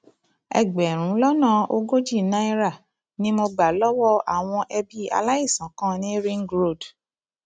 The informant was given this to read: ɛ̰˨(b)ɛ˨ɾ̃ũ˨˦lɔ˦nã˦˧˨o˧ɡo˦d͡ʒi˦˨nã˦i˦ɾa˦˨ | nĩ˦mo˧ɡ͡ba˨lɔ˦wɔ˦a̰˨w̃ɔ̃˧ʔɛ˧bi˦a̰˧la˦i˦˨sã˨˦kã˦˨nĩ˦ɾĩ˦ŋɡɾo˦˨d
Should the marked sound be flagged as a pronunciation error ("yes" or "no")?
yes